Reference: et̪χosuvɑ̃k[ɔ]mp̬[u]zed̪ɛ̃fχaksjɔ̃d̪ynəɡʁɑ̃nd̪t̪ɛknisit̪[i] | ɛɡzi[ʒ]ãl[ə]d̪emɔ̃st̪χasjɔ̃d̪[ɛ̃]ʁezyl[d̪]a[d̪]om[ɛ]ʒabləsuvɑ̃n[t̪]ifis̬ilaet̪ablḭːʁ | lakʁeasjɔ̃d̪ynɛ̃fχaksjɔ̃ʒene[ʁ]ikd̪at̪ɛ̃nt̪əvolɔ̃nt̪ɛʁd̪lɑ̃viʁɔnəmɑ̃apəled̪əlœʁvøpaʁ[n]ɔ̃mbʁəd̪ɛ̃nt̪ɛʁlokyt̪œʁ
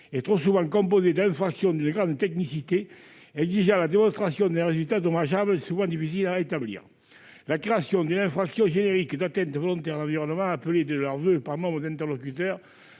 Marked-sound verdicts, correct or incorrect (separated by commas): incorrect, incorrect, incorrect, correct, incorrect, correct, incorrect, correct, incorrect, incorrect, correct, correct